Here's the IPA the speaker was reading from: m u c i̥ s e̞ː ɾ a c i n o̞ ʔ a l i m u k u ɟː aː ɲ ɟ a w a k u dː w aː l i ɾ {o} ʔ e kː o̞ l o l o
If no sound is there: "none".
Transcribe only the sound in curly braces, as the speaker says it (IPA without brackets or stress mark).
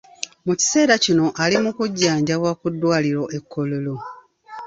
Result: o